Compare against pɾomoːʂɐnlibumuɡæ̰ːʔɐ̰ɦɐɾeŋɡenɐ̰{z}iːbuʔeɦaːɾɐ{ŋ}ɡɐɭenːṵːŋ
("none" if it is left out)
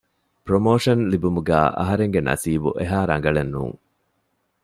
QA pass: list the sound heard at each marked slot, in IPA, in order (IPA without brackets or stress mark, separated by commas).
s, ŋ